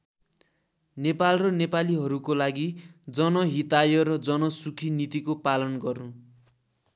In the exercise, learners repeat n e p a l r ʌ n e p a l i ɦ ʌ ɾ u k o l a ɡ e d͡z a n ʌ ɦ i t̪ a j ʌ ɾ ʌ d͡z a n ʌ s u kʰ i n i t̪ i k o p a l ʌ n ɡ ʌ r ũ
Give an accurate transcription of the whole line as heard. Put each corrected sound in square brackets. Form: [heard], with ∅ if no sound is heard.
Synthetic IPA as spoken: n e p a l r ʌ n e p a l i ɦ ʌ ɾ u k o l a ɡ [i] d͡z [ʌ] n ʌ ɦ i t̪ a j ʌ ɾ ʌ d͡z [ʌ] n ʌ s u kʰ i n i t̪ i k o p a l ʌ n ɡ ʌ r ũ